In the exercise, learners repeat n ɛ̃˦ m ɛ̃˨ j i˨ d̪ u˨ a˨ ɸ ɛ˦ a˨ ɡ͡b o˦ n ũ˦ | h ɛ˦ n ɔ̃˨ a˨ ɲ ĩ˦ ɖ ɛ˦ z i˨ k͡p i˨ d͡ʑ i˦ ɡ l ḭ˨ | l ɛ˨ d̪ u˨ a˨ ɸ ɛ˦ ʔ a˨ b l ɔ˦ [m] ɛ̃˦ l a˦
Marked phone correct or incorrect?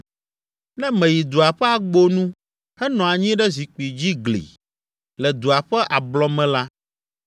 correct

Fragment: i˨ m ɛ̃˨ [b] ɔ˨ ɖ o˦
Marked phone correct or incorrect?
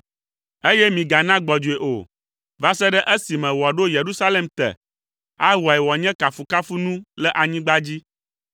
incorrect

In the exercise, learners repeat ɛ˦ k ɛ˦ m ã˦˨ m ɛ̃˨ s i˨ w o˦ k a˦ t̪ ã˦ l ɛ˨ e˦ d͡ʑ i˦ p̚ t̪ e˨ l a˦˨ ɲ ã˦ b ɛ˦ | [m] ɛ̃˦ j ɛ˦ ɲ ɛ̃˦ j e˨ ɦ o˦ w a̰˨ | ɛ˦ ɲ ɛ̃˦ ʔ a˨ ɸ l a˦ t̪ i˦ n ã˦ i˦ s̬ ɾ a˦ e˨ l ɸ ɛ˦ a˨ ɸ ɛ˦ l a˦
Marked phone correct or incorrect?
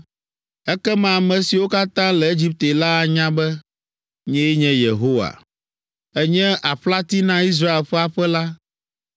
incorrect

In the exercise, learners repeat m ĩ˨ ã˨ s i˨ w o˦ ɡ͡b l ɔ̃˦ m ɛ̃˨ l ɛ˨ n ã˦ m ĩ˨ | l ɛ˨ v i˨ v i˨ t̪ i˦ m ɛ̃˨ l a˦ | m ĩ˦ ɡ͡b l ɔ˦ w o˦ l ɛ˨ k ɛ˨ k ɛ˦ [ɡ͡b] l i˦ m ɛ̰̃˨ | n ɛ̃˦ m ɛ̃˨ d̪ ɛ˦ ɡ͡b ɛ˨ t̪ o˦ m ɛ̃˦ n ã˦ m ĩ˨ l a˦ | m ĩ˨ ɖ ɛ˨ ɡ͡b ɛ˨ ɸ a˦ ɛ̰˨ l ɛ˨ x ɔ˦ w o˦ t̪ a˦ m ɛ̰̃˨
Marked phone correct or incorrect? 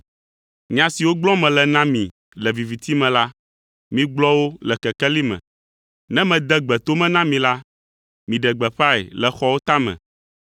incorrect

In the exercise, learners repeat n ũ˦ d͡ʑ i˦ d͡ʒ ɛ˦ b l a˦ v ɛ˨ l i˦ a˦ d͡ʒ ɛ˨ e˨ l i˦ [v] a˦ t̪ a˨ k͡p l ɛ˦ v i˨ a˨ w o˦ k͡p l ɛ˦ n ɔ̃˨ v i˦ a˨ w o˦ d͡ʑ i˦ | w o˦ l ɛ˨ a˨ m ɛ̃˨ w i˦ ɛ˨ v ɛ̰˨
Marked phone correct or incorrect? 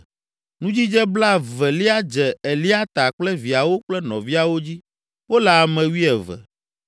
incorrect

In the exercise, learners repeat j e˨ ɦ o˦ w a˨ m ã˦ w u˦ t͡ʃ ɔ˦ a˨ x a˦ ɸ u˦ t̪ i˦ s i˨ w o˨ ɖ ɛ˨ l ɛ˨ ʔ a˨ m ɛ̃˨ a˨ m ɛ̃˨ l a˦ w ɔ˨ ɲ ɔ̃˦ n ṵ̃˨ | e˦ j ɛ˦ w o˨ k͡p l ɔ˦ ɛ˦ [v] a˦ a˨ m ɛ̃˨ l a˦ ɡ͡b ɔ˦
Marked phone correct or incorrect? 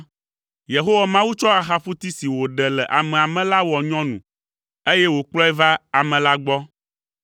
correct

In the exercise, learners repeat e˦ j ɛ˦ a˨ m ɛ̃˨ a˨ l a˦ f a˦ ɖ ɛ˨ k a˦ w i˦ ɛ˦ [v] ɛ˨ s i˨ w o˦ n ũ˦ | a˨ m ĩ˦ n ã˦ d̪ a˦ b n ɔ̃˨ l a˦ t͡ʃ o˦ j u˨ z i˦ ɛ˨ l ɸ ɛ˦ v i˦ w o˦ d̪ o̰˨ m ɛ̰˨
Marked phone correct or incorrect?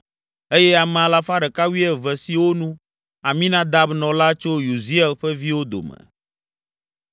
correct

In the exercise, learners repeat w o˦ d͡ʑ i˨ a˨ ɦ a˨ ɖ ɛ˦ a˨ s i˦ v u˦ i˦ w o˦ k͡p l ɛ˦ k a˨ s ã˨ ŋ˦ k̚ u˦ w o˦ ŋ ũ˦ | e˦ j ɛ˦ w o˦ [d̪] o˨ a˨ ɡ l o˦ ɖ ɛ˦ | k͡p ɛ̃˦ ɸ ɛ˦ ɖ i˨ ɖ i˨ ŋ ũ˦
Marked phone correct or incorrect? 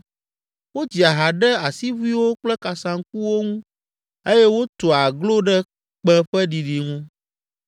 incorrect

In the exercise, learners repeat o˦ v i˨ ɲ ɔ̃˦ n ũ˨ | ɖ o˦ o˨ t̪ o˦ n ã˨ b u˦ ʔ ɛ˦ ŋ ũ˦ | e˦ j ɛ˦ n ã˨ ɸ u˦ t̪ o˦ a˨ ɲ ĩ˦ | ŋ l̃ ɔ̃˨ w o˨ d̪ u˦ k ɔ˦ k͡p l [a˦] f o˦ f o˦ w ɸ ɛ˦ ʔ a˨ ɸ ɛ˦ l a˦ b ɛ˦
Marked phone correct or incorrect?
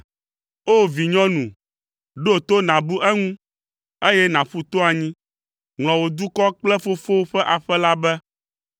incorrect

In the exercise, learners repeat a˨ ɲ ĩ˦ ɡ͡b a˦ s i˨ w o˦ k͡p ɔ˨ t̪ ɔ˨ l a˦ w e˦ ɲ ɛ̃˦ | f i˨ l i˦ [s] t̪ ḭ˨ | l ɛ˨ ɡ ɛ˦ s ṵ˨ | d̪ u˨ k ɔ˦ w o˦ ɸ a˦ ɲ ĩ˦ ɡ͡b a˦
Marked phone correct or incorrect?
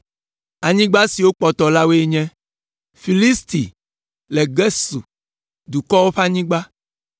correct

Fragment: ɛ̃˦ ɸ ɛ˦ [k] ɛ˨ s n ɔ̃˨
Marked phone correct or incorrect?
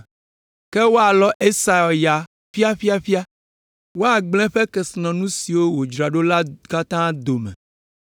correct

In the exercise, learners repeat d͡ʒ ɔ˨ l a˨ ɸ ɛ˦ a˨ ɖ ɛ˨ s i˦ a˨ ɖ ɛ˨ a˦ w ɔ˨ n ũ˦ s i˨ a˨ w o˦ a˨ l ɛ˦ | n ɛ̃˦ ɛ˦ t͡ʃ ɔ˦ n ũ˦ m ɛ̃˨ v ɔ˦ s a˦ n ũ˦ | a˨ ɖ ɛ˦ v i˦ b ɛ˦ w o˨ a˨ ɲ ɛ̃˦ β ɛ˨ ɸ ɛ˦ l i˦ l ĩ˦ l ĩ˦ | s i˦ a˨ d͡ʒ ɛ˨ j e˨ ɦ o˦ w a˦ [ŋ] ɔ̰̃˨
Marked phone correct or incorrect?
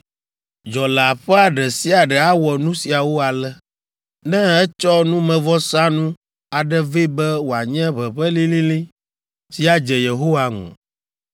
correct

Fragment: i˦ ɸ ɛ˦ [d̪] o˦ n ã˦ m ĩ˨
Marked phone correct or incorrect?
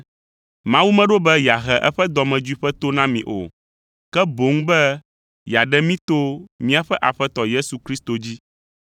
incorrect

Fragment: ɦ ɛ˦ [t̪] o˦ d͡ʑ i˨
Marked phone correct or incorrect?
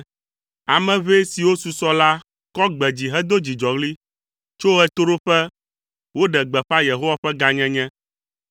incorrect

